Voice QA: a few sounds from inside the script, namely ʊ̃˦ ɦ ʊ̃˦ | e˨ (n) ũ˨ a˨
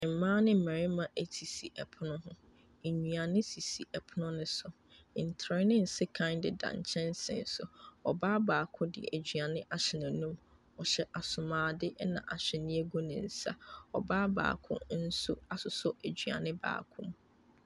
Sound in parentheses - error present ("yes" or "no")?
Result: yes